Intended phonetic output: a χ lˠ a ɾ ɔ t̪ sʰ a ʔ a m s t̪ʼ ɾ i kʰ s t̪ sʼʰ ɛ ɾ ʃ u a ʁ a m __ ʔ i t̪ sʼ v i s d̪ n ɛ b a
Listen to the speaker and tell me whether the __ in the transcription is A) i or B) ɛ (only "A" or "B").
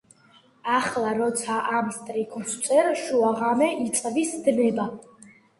B